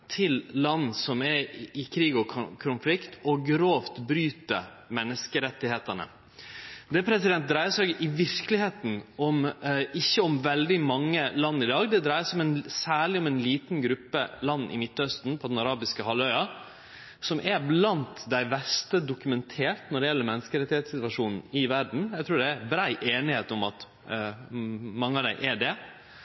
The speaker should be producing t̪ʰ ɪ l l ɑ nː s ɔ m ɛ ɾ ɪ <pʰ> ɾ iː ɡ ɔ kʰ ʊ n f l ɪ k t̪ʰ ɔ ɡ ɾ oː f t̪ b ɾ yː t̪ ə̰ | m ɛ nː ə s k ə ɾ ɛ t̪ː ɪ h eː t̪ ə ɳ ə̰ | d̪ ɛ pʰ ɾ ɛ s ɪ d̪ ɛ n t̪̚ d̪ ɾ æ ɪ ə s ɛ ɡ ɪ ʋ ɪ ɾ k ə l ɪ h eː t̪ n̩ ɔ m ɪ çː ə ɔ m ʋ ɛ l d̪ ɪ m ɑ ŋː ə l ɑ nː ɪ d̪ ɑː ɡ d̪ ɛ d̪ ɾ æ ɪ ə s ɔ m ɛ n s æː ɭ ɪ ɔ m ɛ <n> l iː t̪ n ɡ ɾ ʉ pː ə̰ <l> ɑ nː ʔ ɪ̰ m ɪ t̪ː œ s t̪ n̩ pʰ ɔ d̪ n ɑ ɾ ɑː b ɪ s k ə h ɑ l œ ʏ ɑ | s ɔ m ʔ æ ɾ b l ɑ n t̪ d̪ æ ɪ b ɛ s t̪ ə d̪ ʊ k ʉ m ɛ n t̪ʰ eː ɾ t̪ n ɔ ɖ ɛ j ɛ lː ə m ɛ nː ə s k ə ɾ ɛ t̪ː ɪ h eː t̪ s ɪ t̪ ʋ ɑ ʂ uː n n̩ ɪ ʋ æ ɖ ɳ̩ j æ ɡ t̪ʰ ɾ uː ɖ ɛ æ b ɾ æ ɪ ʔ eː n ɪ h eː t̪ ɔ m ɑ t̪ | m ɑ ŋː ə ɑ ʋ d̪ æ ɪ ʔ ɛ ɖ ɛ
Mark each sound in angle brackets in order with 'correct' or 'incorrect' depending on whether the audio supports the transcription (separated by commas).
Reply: incorrect, correct, correct